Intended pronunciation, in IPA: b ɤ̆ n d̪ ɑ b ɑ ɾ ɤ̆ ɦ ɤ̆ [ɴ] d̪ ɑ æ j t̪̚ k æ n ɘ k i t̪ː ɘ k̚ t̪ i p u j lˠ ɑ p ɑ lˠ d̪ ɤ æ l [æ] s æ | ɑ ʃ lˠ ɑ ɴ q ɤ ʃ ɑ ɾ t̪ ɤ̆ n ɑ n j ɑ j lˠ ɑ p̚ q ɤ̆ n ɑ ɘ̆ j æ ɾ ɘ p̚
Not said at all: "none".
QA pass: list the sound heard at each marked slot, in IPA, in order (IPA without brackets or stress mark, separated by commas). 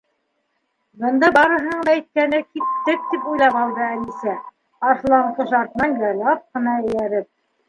ɴ, i